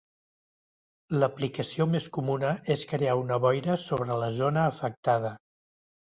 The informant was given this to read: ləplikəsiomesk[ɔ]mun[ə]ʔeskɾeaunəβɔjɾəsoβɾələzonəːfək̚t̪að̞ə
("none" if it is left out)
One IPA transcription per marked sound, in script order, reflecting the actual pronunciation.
u, ə

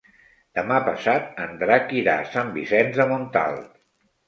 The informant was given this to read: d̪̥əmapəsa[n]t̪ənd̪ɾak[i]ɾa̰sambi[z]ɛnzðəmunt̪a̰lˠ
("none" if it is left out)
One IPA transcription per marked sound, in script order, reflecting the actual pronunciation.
none, i, s

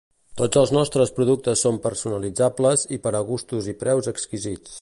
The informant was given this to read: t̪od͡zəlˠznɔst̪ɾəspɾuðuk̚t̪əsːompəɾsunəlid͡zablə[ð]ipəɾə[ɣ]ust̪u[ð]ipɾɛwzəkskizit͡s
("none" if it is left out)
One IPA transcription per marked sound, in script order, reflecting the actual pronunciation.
z, ɣ, z

